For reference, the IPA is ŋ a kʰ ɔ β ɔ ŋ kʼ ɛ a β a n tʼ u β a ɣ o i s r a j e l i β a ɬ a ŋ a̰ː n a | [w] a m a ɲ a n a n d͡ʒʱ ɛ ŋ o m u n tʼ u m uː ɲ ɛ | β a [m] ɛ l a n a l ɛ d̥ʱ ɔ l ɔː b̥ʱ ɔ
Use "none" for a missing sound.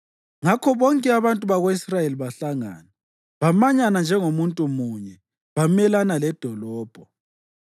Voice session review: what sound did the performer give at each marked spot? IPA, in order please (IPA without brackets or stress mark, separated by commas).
β, m